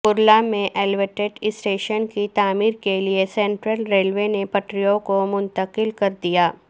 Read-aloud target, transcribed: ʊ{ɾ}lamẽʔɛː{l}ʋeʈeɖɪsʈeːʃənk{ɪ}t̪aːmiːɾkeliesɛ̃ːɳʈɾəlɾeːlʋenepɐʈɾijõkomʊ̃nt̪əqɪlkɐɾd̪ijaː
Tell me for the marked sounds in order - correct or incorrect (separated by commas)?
correct, correct, incorrect